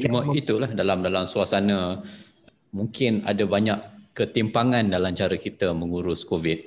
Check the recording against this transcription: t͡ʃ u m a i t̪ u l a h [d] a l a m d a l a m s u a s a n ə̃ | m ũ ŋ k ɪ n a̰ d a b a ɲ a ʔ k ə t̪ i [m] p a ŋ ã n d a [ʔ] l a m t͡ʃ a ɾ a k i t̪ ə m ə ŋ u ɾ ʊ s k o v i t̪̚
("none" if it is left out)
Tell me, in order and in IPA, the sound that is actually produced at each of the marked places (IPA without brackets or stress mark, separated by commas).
d, m, none